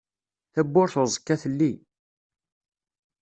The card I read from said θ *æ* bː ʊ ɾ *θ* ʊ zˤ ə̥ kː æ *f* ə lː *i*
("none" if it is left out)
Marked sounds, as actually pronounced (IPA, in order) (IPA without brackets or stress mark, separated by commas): æ, θ, θ, i